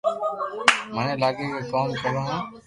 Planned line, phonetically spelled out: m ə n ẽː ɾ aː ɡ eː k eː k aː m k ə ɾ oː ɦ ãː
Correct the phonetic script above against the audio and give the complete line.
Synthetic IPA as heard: m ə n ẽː l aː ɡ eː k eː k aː m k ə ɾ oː ɦ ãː